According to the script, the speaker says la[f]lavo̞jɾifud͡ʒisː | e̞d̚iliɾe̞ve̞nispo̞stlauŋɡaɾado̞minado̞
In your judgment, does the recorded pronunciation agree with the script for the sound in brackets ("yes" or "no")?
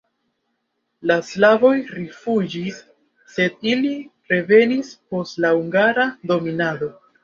no